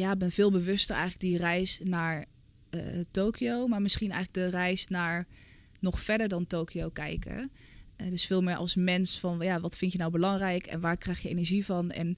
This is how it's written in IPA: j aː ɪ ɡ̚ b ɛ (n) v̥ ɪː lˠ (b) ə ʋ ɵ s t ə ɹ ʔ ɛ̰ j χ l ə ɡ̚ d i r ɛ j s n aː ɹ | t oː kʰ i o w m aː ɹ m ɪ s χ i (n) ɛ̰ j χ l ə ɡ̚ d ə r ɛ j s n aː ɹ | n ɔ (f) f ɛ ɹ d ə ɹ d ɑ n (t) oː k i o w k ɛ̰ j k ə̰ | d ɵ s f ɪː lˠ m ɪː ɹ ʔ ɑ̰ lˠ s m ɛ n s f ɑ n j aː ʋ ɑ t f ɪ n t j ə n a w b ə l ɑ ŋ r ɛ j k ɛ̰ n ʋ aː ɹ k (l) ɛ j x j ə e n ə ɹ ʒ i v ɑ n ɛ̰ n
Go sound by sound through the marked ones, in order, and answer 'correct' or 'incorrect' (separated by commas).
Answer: correct, correct, correct, incorrect, correct, incorrect